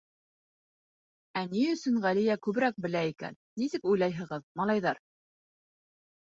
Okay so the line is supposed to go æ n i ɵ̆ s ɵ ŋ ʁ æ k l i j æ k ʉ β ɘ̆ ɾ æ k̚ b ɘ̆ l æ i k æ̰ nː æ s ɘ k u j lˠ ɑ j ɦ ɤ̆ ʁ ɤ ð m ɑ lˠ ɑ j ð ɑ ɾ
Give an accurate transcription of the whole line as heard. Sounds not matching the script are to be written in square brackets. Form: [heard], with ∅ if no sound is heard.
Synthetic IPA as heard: æ n i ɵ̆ s ɵ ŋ ʁ æ [∅] l i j æ k ʉ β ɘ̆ ɾ æ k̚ b ɘ̆ l æ i k æ̰ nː [i] s ɘ k u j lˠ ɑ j ɦ ɤ̆ ʁ ɤ ð m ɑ lˠ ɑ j ð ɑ ɾ